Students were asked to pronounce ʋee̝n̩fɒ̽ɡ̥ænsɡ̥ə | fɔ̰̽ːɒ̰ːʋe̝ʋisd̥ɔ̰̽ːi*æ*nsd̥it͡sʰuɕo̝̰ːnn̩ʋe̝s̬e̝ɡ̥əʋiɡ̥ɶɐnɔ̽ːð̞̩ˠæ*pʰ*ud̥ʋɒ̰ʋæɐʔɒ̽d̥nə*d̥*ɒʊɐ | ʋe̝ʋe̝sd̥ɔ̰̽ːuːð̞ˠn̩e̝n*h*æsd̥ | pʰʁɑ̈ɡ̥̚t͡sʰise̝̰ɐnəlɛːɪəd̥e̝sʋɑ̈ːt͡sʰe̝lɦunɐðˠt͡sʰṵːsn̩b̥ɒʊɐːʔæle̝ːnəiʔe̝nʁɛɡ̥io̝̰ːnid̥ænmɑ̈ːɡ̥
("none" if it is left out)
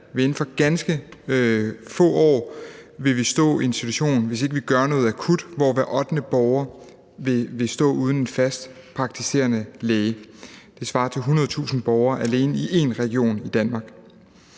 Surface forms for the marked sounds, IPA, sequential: e, kʰ, b̥, f

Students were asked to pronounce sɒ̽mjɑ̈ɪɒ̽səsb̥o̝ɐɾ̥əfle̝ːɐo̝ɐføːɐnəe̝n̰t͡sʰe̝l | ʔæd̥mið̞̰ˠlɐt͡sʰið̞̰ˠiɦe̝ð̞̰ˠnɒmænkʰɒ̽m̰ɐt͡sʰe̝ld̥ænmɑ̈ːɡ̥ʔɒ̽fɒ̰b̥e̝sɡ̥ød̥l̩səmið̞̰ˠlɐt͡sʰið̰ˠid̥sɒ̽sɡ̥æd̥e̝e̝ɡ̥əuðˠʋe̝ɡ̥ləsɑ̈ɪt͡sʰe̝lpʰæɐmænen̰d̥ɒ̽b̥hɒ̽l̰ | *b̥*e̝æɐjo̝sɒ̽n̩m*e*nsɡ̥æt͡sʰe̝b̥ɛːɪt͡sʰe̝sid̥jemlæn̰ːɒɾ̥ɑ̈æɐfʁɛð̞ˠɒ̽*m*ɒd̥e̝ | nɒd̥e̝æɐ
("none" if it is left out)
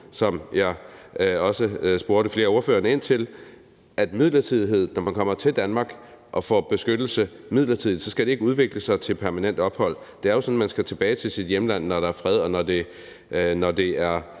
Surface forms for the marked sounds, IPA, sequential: d̥, æ, n

